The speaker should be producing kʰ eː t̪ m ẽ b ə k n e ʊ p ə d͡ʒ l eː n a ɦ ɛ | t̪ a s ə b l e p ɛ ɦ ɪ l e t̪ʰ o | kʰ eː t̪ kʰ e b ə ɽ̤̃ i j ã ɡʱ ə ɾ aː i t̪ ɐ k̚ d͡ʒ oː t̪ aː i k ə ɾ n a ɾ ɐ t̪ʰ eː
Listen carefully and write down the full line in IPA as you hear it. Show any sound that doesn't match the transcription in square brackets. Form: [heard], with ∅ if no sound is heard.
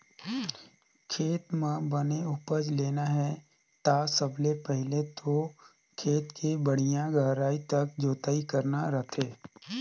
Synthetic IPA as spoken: kʰ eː t̪ m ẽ b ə [∅] n e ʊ p ə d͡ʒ l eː n a ɦ ɛ | t̪ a s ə b l e p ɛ ɦ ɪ l e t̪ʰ o | kʰ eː t̪ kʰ e b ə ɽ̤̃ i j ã ɡʱ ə ɾ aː i t̪ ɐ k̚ d͡ʒ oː t̪ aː i k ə ɾ n a ɾ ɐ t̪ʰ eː